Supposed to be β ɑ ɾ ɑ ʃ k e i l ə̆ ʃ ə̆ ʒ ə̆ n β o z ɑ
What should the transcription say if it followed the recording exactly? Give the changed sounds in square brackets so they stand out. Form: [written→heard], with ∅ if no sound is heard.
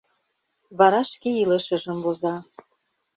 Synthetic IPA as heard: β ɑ ɾ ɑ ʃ k e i l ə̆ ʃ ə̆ ʒ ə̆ [n→m] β o z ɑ